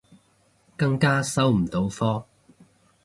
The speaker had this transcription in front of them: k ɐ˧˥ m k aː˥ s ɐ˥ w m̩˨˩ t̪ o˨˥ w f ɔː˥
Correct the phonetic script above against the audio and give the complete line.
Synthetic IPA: k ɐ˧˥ ŋ k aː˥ s ɐ˥ w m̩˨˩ t̪ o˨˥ w f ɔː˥